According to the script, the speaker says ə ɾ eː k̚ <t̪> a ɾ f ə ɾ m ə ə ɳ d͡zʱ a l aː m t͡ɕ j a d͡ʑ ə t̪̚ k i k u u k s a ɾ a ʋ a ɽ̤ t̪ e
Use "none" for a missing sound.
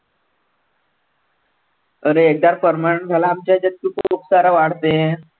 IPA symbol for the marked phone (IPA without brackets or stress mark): d̪